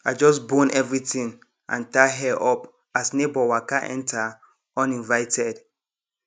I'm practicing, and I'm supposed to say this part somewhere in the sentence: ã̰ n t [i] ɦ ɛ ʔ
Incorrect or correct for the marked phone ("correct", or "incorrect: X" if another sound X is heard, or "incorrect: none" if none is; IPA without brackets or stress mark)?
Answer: incorrect: a